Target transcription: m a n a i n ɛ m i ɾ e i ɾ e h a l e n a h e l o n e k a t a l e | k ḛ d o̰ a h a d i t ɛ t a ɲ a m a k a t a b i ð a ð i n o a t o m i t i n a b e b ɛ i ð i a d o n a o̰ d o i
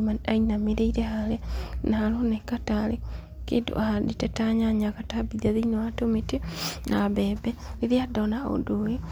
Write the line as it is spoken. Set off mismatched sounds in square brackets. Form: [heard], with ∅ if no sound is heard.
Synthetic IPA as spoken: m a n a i n [a] m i ɾ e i ɾ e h a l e n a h [a] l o n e k a t a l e | k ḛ d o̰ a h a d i t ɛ t a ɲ a [ɲ] a k a t a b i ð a ð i n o a t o m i t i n a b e b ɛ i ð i a d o n a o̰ d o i